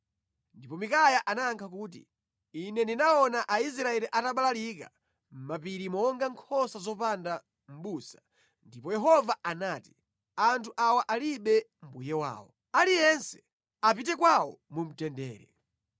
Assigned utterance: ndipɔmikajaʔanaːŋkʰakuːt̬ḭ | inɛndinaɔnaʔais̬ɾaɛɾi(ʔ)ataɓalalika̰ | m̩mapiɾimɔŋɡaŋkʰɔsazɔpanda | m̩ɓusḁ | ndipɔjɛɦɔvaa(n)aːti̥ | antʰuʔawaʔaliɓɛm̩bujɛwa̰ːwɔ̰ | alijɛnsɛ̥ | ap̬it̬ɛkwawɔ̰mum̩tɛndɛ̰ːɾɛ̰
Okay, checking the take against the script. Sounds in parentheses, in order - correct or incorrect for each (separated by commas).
correct, correct